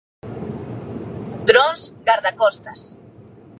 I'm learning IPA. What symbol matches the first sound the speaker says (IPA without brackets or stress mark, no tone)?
d̪